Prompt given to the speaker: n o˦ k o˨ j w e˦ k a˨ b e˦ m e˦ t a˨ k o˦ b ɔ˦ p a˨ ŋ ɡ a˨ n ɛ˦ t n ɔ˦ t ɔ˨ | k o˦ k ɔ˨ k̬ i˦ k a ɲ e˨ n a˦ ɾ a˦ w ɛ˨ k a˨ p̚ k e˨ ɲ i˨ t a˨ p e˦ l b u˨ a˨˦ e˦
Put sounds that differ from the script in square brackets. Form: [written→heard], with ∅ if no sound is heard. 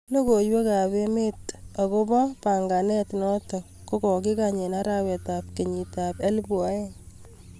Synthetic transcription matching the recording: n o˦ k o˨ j w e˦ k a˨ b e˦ m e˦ t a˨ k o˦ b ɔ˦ p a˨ ŋ ɡ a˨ n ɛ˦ t n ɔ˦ t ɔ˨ | k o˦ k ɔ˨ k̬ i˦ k a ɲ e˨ n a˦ ɾ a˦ w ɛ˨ [k→t] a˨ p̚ k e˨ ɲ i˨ t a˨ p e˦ l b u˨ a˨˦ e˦